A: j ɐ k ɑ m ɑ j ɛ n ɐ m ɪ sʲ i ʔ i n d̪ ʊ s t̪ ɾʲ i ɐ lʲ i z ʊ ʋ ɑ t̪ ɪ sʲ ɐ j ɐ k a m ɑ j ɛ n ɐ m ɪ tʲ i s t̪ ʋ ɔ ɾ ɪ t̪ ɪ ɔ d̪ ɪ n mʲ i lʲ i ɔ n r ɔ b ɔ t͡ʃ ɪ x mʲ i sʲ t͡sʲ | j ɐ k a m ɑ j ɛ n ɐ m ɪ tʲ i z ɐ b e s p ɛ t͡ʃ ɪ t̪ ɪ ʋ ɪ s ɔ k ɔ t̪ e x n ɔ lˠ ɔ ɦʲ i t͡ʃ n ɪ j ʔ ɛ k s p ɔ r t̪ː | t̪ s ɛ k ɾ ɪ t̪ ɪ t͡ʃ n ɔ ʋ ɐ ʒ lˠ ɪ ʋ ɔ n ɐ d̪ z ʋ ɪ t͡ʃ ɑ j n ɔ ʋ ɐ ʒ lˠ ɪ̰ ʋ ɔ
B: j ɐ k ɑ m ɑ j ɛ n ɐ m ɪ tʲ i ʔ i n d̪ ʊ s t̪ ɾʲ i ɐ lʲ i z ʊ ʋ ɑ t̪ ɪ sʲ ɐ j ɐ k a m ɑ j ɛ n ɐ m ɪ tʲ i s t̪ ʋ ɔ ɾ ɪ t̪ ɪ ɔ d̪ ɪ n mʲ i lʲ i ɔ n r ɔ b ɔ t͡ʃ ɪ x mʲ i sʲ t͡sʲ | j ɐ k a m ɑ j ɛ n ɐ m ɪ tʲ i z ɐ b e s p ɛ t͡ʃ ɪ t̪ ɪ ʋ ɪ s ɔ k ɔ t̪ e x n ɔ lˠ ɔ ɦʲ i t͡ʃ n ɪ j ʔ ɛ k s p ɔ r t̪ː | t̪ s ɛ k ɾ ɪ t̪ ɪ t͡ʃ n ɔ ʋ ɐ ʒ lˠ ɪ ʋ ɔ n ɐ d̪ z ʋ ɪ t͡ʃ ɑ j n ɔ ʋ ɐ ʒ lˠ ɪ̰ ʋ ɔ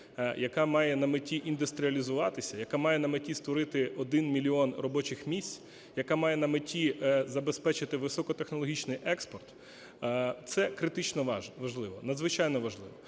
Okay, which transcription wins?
B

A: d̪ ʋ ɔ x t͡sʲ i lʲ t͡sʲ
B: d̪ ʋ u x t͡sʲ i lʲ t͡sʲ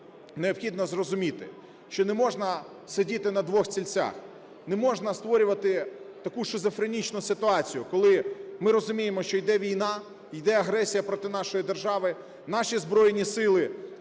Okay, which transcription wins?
A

